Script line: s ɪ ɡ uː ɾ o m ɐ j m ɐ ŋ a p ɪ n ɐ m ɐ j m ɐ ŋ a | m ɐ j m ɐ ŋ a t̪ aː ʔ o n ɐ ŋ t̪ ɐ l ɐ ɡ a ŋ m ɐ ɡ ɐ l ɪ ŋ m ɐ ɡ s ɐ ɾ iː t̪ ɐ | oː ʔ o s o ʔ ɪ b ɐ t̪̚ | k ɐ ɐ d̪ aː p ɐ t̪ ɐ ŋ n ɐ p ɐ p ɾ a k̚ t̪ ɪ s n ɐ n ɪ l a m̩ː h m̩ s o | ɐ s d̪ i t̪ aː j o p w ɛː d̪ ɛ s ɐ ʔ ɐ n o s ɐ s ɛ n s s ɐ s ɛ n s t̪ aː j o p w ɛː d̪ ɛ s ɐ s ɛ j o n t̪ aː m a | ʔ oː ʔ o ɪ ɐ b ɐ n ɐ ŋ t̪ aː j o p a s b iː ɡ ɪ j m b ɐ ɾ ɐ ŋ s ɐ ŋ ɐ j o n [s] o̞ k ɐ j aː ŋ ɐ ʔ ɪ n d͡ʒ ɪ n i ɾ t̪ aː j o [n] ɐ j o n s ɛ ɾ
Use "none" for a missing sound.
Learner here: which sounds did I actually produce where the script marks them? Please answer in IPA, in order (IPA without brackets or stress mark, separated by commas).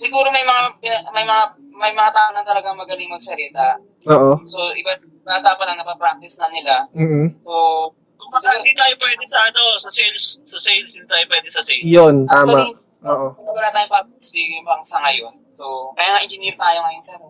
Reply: s, ŋ